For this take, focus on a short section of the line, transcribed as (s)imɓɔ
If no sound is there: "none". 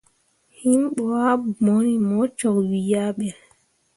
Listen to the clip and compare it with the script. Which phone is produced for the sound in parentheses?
h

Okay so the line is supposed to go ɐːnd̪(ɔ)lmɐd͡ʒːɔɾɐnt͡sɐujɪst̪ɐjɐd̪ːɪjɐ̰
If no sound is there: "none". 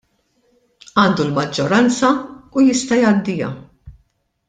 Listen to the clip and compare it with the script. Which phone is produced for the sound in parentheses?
u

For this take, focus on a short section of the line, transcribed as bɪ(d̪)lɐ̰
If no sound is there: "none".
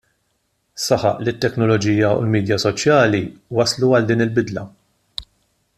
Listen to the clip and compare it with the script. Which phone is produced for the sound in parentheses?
d̪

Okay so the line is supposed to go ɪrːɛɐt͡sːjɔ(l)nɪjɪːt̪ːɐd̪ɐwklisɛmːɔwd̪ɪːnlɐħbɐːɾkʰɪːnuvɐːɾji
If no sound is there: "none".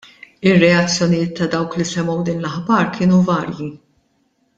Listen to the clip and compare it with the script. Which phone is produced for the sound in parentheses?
none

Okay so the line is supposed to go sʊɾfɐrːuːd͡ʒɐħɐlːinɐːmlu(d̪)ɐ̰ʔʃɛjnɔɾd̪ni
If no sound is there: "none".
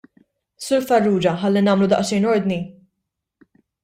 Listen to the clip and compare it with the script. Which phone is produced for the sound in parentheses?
d̪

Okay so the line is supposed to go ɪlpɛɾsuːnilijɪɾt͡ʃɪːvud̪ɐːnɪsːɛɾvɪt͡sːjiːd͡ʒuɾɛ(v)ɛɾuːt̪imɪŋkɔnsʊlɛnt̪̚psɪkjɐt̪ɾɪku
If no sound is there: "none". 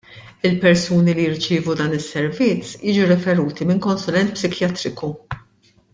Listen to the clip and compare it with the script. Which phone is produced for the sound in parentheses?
f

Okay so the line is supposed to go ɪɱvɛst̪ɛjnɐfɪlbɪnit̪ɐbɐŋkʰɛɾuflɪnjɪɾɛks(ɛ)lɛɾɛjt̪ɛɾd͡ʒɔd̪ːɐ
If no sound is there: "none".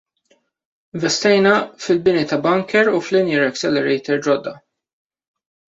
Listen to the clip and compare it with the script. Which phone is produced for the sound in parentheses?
ɛ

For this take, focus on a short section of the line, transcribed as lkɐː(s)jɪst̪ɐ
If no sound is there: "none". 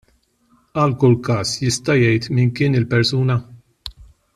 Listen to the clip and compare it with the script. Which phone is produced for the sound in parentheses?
s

